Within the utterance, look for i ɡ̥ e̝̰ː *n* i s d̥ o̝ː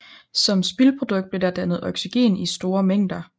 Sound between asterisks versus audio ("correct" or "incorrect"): correct